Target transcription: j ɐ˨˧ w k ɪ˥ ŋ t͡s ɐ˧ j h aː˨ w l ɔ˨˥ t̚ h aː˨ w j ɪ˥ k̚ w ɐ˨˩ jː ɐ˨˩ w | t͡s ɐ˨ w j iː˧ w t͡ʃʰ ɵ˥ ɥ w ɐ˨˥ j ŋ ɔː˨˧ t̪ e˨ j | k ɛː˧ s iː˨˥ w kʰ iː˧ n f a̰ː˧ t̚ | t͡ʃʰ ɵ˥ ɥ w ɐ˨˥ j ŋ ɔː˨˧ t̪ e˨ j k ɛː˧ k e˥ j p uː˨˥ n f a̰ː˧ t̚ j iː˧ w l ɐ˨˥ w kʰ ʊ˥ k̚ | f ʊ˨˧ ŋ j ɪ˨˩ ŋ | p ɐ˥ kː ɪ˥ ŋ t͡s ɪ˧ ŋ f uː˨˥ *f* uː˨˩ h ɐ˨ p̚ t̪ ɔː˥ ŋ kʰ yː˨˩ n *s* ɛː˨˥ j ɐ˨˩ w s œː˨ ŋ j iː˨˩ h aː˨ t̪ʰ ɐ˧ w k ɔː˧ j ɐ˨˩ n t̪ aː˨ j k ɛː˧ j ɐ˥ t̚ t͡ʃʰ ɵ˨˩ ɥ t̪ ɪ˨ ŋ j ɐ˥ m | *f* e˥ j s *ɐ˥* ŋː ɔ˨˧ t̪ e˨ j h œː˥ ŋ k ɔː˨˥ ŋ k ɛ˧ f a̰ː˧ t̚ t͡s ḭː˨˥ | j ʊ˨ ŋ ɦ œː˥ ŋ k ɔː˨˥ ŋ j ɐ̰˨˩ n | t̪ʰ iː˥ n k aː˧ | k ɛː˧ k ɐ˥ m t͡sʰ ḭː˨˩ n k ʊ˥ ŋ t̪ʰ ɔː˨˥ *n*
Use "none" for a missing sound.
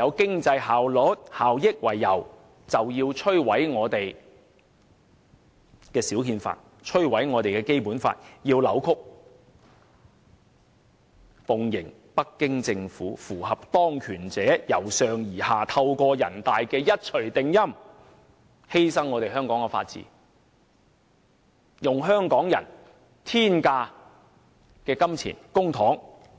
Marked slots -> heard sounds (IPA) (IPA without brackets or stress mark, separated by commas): f, t͡s, h, ɐ˥, ŋ